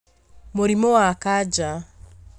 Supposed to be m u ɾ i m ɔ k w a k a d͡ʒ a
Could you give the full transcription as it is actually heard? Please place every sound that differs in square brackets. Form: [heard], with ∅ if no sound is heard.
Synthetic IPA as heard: m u ɾ i m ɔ [∅] w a k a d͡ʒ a